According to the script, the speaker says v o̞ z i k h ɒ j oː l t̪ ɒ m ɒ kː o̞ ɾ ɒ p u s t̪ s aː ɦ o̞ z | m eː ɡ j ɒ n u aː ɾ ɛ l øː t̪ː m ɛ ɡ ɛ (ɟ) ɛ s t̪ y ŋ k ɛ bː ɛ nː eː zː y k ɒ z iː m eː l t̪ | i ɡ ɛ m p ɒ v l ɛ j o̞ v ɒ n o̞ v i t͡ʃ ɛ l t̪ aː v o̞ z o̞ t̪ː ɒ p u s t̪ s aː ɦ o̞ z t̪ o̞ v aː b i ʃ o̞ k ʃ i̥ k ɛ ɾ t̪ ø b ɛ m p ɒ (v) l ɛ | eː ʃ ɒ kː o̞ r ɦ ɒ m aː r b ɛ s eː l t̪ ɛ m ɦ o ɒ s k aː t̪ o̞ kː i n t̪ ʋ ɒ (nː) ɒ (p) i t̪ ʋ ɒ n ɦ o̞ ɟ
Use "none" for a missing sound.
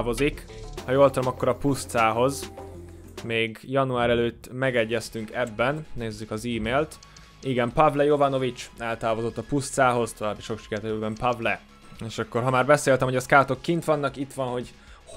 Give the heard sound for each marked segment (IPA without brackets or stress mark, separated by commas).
ɟː, v, nː, k